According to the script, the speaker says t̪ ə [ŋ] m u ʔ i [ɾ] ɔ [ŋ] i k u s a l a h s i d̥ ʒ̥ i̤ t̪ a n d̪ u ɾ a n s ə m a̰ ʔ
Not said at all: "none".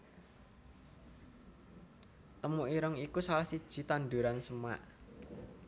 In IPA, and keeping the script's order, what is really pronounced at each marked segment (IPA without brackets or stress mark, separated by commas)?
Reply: none, ɾ, ŋ